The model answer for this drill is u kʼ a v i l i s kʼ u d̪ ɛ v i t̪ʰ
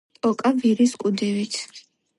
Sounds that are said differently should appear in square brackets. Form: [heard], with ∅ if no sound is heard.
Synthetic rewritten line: [ɔ] kʼ a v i [ɾ] i s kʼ u d̪ ɛ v i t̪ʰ